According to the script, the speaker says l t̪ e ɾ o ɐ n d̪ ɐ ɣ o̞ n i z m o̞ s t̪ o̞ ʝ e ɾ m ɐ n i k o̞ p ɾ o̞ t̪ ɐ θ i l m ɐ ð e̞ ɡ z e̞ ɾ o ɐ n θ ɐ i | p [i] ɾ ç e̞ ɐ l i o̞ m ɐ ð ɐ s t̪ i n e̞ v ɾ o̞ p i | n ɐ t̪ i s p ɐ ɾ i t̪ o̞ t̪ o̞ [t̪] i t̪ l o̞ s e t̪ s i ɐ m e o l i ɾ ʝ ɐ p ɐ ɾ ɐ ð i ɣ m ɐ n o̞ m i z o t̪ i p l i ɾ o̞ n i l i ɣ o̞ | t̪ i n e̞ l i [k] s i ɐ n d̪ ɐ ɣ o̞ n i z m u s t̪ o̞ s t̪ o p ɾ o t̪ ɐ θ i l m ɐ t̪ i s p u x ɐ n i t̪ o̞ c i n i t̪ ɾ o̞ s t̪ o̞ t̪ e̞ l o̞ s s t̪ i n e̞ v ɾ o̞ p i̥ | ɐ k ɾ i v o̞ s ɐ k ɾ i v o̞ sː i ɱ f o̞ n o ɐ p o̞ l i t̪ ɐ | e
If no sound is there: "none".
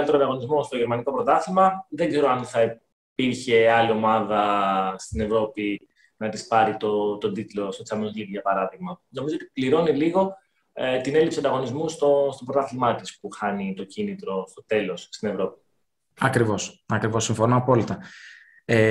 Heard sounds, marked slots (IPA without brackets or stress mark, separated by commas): i, d̪, p